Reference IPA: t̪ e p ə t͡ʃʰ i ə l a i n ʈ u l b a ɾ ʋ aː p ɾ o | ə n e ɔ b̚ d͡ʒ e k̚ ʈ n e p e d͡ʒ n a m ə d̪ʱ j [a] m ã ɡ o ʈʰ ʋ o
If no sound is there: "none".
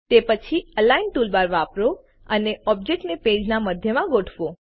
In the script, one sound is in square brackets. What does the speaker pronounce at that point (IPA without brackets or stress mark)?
ə